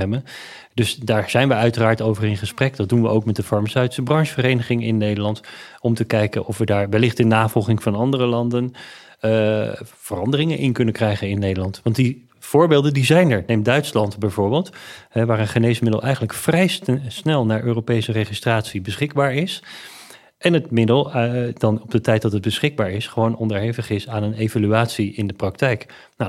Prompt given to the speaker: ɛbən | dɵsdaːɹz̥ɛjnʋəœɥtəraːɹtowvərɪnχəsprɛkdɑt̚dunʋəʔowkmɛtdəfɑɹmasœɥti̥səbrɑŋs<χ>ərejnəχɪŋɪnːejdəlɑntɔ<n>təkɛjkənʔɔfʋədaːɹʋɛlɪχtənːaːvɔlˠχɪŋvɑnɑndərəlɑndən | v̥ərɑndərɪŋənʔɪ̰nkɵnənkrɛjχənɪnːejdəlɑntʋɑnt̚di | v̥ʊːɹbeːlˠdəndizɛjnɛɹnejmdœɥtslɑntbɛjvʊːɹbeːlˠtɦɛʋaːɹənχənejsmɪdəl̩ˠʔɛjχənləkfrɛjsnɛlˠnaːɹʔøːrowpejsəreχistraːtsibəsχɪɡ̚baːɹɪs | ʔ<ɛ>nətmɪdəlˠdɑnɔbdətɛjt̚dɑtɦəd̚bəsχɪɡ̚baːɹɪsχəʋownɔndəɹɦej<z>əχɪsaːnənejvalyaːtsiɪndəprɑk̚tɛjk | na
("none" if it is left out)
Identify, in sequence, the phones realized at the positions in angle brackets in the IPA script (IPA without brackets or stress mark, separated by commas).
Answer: f, m, ɛ, v